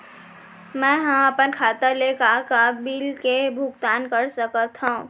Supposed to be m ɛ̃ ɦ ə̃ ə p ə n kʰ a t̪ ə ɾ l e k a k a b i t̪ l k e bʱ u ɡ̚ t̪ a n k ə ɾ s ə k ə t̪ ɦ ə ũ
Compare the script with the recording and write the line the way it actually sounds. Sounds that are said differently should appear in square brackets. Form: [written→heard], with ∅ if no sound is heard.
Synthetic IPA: m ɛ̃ ɦ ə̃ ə p ə n kʰ a t̪ ə ɾ l e k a k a b i [t̪→∅] l k e bʱ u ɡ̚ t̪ a n k ə ɾ s ə k ə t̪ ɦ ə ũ